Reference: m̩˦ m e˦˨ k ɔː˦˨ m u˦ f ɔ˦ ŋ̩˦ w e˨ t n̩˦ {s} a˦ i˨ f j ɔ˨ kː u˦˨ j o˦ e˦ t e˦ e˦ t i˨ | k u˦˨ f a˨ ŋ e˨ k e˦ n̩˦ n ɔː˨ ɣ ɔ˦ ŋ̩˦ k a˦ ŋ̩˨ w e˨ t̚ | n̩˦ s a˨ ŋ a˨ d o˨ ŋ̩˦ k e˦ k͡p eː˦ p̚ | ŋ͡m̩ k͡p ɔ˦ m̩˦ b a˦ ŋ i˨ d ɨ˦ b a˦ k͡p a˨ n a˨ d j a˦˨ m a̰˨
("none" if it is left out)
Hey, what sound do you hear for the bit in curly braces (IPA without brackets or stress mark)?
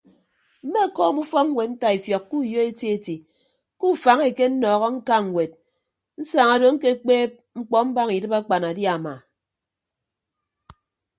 t